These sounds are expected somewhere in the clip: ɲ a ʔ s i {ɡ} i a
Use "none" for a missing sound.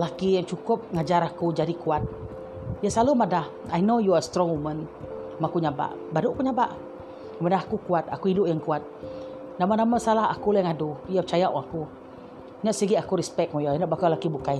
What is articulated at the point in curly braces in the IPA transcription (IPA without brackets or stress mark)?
ɡ